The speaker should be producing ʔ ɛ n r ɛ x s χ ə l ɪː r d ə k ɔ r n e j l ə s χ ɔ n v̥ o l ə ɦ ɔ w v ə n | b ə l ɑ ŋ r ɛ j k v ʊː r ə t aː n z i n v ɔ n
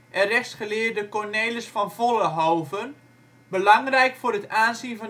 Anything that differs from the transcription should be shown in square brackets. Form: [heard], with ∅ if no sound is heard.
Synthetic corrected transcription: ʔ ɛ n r ɛ x s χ ə l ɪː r d ə k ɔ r n e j l ə s [f] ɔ n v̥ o l ə ɦ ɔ w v ə n | b ə l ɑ ŋ r ɛ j k [f] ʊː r ə t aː n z i n v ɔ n

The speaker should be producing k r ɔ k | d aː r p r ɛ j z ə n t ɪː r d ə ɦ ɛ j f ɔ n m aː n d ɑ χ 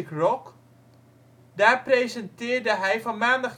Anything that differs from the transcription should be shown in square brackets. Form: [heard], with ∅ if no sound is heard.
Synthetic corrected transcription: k r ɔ k | d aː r p r [e] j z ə n t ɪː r d ə ɦ ɛ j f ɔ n m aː n d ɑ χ

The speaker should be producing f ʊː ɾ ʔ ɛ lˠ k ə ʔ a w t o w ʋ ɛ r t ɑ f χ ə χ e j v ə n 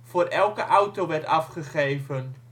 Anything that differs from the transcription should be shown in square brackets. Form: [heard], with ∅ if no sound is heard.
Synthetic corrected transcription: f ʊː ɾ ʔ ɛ lˠ k ə ʔ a w t o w ʋ ɛ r t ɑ f χ ə χ e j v ə n

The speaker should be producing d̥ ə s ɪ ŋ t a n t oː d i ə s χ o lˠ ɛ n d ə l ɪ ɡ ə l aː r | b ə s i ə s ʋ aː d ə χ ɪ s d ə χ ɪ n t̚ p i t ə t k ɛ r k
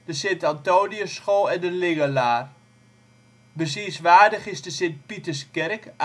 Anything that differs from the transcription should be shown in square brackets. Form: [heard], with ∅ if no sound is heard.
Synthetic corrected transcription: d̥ ə s ɪ [n] t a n t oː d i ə s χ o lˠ ɛ n d ə l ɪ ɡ ə l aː r | b ə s i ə s ʋ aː d ə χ ɪ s d ə [s] ɪ n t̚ p i t ə [s] k ɛ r k

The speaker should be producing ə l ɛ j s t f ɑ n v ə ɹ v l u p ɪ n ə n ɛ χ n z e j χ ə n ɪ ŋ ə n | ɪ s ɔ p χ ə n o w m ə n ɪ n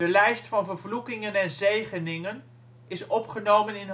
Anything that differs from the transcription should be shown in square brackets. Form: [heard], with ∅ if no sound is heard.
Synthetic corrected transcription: ə l ɛ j s t f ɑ n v ə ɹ v l u [k] ɪ [ŋ] ə n ɛ [∅] n z e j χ ə n ɪ ŋ ə n | ɪ s ɔ p χ ə n o w m ə n ɪ n

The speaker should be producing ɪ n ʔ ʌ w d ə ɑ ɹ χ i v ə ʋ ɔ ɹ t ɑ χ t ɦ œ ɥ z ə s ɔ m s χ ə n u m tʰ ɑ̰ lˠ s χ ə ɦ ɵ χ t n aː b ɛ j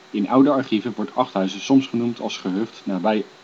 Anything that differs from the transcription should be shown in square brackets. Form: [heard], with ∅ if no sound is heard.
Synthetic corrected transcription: ɪ n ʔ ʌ w d ə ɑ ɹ χ i v ə ʋ ɔ ɹ t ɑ χ t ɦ œ ɥ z ə s ɔ m s χ ə n u m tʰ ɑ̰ lˠ s χ ə ɦ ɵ χ t n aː b ɛ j

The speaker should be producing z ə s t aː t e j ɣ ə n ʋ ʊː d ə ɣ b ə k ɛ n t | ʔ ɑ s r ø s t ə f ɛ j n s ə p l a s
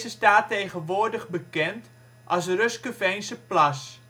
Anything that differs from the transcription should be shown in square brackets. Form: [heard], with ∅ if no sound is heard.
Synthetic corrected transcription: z ə s t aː t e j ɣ ə n ʋ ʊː d ə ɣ b ə k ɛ n t | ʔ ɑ s r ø s [k] ə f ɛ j n s ə p l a s

